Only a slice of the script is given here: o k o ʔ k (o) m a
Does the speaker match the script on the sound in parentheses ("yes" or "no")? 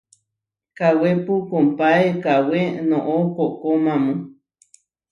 yes